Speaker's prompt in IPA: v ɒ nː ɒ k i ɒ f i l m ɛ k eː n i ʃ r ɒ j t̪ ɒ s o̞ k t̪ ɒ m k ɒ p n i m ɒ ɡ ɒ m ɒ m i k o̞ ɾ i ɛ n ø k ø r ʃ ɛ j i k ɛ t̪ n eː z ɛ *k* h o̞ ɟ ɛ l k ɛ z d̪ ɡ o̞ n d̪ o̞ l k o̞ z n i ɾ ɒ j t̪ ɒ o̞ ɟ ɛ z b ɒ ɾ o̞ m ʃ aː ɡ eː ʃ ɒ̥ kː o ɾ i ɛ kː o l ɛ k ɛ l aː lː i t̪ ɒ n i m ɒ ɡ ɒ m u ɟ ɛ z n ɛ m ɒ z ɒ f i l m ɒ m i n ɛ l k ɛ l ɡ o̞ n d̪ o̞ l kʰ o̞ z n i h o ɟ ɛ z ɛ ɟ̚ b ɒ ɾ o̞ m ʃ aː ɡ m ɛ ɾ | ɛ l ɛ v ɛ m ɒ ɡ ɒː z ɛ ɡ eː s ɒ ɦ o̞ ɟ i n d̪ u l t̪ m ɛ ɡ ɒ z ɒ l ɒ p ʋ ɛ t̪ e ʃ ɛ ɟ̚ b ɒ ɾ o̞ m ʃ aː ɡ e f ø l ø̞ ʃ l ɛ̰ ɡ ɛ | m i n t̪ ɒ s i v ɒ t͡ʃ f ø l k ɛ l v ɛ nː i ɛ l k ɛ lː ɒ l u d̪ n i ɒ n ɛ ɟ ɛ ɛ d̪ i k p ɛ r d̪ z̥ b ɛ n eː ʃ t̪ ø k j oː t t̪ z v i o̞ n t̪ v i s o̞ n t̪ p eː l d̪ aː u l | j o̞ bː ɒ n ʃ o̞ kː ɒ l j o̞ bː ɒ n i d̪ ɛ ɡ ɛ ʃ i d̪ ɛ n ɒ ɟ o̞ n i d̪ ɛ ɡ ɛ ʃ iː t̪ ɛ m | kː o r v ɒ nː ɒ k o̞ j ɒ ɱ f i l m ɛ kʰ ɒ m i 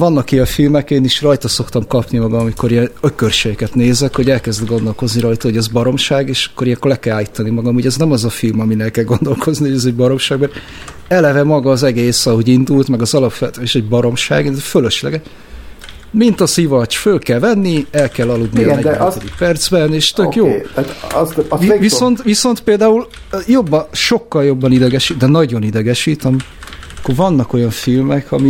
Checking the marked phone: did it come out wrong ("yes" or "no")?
no